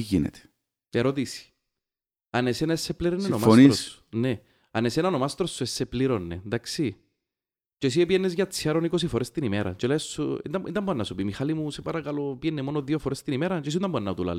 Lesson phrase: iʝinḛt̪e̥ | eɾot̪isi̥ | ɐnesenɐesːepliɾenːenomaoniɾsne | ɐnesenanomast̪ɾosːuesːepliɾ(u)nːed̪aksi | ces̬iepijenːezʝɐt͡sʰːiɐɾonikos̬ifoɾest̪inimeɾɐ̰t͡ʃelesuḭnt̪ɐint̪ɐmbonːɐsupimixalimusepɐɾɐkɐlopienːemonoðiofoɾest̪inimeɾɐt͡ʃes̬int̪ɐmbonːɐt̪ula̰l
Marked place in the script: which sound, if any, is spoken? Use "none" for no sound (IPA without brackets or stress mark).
o